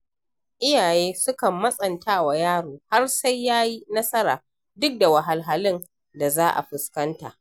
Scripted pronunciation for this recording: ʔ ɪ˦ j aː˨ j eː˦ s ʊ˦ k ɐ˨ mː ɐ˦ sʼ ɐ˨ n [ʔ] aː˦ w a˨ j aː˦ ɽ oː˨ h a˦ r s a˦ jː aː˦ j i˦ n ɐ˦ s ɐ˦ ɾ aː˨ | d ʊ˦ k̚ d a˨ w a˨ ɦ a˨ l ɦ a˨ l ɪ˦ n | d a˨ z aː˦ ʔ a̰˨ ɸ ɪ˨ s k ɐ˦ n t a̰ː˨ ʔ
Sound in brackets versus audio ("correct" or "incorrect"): incorrect